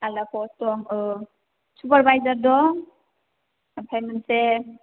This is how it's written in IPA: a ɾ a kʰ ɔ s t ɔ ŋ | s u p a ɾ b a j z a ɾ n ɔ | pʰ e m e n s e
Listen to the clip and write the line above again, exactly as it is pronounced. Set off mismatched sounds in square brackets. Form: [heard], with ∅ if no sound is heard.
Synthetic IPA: a [l] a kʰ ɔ s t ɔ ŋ | s u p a ɾ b a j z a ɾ [d] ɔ | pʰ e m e n s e